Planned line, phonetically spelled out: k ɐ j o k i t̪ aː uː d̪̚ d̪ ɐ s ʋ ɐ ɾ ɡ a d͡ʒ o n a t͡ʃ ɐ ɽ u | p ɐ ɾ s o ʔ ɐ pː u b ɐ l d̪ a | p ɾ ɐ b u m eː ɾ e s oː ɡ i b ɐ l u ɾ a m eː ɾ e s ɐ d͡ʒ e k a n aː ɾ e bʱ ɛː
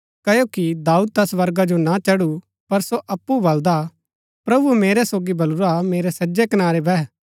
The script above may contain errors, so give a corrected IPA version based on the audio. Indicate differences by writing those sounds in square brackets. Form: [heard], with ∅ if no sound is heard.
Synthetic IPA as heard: k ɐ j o k i [d̪] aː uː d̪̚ [t̪] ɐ s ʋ ɐ ɾ ɡ a d͡ʒ o n a t͡ʃ ɐ ɽ u | p ɐ ɾ s o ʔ ɐ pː u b ɐ l d̪ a | p ɾ ɐ b u m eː ɾ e s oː ɡ i b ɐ l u ɾ a m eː ɾ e s ɐ d͡ʒ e k [ɐ] n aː ɾ e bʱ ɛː